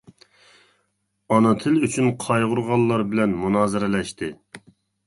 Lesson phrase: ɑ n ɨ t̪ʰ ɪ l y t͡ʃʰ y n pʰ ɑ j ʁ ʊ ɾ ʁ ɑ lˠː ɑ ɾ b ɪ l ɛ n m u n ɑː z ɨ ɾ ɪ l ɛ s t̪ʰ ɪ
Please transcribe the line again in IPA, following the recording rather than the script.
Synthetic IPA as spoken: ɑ n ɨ t̪ʰ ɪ l y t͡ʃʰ y n qʰ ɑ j ʁ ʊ ɾ ʁ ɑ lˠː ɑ ɾ b ɪ l ɛ n m u n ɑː z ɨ ɾ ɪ l ɛ ʃ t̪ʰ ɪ